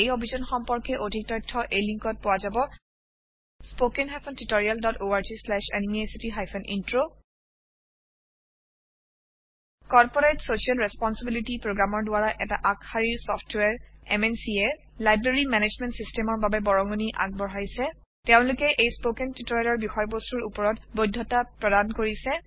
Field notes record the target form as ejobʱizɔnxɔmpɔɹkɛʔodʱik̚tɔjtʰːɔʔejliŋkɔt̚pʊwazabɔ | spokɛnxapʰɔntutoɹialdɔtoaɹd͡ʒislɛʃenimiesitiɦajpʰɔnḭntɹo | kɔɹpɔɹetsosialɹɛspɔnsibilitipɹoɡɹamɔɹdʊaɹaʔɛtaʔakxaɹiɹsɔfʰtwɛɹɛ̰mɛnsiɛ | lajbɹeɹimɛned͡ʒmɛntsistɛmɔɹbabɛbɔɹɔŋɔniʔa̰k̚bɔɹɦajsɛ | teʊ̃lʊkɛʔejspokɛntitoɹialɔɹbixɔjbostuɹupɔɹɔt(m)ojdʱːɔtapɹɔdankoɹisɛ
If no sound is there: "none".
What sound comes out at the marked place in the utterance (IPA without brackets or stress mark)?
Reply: b